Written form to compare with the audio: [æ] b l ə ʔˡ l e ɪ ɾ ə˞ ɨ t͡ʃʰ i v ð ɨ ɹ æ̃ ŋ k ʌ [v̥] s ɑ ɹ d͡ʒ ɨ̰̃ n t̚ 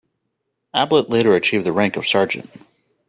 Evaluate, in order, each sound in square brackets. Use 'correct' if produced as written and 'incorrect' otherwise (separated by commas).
correct, correct